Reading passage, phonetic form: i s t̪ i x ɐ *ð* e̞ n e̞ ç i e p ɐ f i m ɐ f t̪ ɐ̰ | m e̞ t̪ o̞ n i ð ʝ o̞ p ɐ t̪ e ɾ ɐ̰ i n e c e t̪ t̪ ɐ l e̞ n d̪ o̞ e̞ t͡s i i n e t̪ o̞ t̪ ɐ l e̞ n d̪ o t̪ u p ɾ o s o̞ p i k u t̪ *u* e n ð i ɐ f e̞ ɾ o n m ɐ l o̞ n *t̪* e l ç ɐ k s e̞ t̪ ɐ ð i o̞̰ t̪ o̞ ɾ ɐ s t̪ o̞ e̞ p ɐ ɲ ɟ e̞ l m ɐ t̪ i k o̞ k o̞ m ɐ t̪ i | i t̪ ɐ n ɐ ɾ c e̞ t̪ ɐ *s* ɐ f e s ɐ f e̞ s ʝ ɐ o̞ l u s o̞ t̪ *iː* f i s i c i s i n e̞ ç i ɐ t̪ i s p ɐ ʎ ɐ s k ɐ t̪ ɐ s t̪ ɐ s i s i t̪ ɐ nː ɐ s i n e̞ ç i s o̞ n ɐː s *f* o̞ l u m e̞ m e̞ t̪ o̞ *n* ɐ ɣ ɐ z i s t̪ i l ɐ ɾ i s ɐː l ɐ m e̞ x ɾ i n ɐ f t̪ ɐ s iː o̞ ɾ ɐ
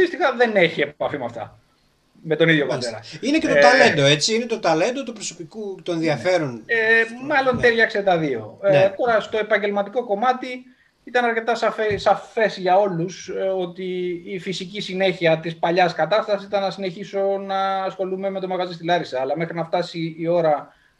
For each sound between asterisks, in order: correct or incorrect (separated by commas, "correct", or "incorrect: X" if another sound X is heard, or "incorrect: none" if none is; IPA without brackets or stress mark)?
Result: correct, incorrect: o, correct, correct, correct, incorrect: x, incorrect: m